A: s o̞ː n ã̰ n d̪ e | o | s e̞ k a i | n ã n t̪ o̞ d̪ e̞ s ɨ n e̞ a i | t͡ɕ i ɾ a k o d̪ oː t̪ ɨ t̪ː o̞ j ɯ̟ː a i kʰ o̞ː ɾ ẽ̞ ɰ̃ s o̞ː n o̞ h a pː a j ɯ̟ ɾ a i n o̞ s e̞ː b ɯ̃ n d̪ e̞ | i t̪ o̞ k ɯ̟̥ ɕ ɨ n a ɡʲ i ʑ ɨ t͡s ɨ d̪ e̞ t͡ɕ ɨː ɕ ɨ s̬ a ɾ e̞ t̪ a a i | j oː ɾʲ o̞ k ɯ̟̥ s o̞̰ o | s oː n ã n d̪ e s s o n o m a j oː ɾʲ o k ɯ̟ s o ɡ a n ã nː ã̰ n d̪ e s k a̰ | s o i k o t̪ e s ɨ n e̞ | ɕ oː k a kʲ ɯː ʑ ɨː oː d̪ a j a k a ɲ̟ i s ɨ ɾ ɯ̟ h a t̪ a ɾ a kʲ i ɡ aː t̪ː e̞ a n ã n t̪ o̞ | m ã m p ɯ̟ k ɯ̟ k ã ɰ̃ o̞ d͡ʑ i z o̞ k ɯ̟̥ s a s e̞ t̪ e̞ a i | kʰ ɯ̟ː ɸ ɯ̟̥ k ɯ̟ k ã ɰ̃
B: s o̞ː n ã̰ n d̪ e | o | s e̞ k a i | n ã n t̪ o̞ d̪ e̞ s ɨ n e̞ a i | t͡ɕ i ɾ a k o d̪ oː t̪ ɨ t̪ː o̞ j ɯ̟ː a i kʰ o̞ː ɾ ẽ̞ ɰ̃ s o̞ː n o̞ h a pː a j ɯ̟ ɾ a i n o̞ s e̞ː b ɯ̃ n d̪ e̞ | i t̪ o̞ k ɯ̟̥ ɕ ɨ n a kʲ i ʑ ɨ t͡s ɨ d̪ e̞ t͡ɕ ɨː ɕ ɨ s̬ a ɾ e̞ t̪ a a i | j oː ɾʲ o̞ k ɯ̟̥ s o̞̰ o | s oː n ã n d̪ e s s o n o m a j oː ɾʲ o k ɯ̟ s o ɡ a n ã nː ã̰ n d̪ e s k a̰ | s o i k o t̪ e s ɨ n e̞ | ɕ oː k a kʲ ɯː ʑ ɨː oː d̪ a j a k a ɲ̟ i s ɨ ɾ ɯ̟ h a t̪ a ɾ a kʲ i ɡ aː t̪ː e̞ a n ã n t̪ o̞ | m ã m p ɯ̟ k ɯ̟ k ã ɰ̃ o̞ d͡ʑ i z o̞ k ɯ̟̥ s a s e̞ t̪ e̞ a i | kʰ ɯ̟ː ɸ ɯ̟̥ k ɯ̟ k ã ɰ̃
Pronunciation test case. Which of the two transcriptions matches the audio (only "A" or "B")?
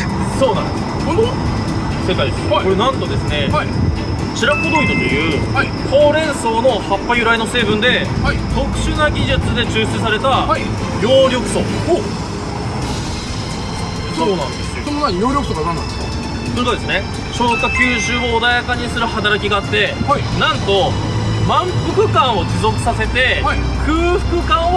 A